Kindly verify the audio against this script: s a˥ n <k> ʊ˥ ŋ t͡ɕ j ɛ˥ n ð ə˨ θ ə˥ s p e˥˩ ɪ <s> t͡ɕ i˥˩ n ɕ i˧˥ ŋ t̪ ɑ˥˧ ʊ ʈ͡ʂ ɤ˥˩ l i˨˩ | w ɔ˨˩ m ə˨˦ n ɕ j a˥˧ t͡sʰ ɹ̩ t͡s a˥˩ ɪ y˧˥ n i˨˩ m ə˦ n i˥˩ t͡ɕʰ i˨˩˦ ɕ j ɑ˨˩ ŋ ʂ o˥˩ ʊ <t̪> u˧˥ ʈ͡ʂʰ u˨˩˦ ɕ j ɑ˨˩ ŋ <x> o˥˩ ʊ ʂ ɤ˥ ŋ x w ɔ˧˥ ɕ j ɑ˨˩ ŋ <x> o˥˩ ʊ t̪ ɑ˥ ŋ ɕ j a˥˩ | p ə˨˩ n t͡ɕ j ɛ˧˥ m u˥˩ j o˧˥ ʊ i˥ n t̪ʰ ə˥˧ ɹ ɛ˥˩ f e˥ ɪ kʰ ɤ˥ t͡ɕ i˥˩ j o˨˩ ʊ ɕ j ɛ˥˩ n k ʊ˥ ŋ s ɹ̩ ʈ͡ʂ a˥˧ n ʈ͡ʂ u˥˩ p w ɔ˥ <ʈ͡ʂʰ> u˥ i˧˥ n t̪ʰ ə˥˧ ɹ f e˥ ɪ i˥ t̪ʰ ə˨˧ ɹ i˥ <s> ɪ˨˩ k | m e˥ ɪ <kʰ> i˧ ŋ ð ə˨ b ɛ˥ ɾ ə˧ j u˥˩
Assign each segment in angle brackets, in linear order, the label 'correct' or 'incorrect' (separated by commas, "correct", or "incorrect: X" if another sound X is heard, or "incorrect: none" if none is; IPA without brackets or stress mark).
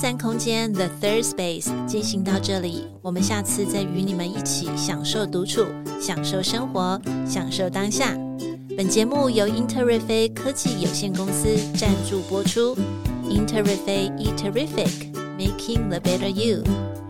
incorrect: kʰ, correct, correct, incorrect: ʂ, incorrect: ʂ, correct, incorrect: f, correct